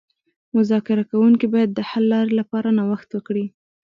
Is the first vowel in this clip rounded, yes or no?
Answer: yes